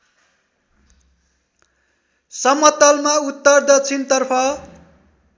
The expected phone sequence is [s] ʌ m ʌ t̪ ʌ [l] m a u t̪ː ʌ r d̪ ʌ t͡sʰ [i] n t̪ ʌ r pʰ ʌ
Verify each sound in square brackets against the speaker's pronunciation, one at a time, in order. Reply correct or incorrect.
correct, correct, correct

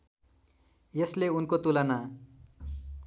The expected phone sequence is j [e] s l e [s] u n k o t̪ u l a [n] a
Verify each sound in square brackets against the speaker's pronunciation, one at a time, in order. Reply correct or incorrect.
correct, incorrect, correct

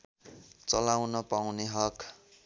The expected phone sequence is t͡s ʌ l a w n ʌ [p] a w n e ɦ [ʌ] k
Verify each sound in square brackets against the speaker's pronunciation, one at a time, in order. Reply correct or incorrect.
correct, correct

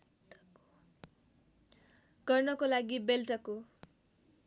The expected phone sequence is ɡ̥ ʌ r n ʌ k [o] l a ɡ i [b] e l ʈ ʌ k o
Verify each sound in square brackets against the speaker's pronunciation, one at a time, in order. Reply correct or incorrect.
correct, correct

